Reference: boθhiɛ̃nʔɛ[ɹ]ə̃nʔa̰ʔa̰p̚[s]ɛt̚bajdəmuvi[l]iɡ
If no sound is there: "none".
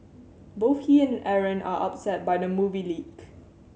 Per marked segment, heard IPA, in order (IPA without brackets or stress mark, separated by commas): ɹ, s, l